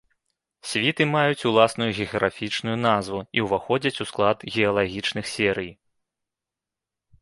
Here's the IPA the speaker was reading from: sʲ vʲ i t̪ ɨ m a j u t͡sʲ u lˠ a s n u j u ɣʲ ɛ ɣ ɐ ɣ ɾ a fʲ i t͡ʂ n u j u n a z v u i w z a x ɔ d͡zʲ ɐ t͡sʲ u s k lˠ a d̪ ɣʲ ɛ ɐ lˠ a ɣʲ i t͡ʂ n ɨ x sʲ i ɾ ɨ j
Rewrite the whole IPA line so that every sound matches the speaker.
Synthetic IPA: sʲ vʲ i t̪ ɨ m a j u t͡sʲ u lˠ a s n u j u ɣʲ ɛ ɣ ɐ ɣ ɾ a fʲ i t͡ʂ n u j u n a z v u i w v a x ɔ d͡zʲ ɐ t͡sʲ u s k lˠ a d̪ ɣʲ ɛ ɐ lˠ a ɣʲ i t͡ʂ n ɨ x sʲ ɛ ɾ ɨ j